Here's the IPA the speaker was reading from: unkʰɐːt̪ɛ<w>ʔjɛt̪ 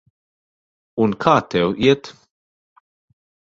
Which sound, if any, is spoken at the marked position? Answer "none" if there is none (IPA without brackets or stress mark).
w